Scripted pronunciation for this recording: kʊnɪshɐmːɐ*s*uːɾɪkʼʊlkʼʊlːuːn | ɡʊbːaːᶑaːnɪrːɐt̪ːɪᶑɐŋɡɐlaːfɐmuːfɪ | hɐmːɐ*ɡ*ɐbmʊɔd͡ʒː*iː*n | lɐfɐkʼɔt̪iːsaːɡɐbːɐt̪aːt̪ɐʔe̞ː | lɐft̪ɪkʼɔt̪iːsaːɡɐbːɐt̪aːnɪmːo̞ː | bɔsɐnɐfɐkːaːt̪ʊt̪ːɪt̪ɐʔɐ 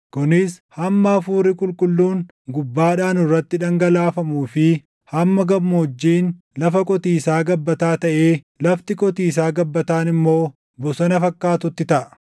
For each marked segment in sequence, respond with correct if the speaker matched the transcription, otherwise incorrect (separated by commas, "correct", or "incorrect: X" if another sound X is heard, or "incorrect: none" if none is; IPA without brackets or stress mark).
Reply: incorrect: f, correct, correct